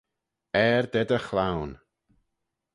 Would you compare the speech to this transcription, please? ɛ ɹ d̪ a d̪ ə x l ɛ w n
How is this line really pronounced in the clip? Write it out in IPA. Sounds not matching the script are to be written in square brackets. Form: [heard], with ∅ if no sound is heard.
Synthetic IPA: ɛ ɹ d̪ [ɛ] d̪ ə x l [a] w n